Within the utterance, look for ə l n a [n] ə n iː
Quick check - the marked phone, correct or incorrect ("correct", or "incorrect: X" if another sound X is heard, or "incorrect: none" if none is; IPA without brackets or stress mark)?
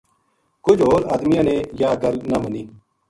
incorrect: m